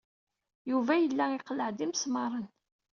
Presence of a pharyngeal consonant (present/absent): present